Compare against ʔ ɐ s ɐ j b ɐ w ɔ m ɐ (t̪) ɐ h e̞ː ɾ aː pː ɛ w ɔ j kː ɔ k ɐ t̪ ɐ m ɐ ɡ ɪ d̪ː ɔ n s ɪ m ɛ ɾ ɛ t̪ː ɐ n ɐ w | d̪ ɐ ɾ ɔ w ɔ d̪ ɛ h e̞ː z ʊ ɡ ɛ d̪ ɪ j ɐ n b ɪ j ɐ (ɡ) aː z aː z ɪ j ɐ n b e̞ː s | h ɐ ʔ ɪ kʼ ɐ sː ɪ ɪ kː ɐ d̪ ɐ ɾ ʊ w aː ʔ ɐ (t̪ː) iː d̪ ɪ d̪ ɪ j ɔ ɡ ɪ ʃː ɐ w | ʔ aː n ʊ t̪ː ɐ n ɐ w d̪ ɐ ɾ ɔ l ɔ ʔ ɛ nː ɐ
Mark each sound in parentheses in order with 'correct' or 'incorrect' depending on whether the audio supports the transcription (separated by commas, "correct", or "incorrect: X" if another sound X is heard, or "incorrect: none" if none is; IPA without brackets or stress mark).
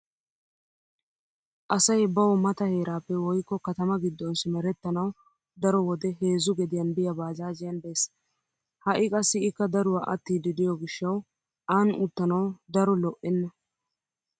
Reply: correct, incorrect: b, correct